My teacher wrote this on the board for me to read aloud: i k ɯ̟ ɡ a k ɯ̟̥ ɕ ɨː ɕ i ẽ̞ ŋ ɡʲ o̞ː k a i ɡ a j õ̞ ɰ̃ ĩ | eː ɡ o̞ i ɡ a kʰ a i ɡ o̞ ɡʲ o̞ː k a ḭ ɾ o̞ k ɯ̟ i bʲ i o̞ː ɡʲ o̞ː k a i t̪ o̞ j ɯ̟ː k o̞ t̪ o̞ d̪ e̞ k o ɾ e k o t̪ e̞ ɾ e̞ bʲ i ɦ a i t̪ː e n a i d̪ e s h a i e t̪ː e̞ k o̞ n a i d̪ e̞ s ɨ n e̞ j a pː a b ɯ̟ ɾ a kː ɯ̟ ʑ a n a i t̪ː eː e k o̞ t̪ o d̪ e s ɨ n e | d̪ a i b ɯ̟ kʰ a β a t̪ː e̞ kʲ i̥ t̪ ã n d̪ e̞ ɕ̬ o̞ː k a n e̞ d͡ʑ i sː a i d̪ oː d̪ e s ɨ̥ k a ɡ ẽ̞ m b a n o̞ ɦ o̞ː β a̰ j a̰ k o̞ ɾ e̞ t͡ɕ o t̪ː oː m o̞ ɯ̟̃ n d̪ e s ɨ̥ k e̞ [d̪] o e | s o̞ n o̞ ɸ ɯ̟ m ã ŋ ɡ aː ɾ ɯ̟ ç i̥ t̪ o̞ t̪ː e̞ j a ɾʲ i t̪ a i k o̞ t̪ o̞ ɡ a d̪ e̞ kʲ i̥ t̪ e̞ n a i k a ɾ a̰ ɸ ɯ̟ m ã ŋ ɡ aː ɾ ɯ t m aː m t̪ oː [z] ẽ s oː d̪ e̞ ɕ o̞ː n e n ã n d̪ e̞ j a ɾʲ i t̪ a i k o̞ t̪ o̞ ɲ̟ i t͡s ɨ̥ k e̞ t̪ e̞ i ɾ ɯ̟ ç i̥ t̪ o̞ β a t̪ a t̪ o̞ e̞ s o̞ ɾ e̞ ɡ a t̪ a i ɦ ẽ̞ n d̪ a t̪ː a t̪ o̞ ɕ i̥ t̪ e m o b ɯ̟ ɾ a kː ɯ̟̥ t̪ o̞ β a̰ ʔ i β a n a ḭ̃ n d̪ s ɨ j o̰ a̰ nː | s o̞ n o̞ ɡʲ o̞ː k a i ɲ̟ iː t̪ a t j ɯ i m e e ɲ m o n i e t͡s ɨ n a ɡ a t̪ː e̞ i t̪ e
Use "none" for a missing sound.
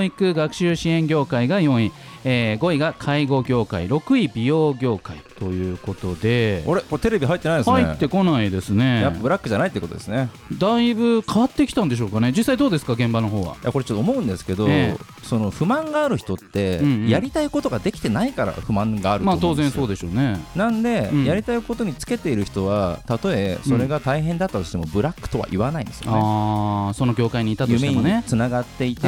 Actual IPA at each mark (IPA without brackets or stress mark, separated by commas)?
d̪, z